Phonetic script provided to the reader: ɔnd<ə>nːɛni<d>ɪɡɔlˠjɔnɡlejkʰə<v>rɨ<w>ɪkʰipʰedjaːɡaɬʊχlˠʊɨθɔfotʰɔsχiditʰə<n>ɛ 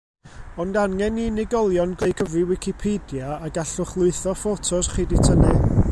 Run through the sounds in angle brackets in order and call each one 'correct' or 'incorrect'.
incorrect: a, incorrect: n, correct, correct, correct

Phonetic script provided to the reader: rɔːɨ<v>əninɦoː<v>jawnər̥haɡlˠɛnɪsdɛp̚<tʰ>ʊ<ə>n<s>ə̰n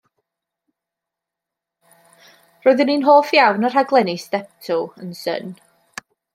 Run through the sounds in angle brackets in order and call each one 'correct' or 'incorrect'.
incorrect: ð, incorrect: f, correct, correct, correct

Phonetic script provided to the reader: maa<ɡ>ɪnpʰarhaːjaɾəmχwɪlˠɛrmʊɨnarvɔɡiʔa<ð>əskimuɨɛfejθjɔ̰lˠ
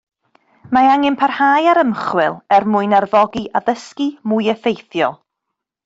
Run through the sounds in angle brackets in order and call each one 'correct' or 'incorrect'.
incorrect: ŋ, correct

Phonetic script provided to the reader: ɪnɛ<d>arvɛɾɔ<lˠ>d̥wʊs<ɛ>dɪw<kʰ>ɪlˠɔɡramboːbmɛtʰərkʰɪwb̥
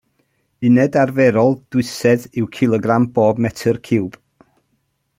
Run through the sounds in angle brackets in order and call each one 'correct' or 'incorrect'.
correct, correct, correct, correct

